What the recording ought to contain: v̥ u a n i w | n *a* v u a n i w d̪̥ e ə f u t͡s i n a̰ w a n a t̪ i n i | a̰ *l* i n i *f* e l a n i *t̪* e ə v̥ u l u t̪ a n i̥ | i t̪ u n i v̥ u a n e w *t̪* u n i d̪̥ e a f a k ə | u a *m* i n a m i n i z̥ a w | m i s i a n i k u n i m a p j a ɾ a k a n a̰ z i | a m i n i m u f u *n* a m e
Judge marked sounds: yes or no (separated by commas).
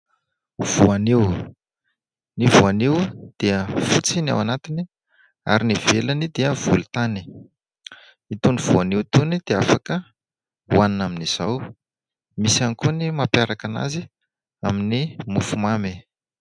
no, no, no, no, yes, no, no